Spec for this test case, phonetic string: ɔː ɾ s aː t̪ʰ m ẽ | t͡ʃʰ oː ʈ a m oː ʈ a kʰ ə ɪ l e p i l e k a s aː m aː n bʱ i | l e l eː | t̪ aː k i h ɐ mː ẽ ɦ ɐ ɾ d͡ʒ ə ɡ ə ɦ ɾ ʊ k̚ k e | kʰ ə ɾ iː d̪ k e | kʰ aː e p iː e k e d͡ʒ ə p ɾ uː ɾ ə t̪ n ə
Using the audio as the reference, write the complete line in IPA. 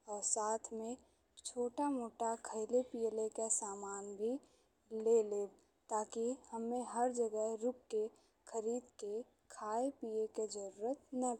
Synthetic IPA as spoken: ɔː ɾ s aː t̪ʰ m ẽ | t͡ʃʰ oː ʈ a m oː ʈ a kʰ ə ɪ l e p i l e k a s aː m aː n bʱ i | l e l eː | t̪ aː k i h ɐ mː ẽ ɦ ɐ ɾ d͡ʒ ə ɡ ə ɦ ɾ ʊ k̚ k e | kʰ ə ɾ iː d̪ k e | kʰ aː e p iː e k e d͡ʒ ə ɾ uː ɾ ə t̪ n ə